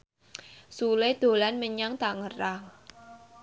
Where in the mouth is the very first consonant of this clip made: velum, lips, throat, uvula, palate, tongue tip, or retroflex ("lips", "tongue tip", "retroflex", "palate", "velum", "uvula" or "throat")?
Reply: tongue tip